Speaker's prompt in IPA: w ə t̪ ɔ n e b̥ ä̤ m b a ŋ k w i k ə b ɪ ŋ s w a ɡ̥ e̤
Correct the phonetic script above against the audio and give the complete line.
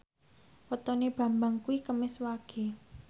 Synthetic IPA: w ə t̪ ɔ n e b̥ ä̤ m b a ŋ k u i k ə m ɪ s w a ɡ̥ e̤